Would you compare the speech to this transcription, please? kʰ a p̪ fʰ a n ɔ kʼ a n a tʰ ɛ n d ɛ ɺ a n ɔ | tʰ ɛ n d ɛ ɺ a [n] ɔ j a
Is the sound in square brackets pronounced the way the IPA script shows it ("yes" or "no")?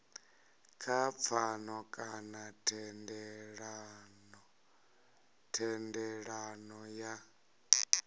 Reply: yes